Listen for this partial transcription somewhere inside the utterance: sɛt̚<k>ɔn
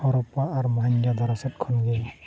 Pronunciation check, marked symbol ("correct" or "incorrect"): incorrect